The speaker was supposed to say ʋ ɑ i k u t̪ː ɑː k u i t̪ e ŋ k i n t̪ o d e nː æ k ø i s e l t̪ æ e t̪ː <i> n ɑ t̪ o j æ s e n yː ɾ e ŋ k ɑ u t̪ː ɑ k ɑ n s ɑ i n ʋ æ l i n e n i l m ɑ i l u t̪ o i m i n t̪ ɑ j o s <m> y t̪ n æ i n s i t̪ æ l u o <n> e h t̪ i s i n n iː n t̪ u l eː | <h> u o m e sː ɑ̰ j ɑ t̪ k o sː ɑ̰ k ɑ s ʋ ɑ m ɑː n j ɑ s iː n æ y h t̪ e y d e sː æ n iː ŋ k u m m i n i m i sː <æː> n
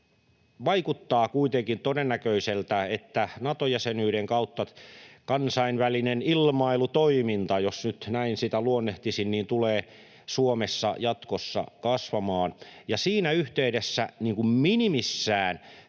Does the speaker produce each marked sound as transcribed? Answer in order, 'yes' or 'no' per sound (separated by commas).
no, no, no, no, yes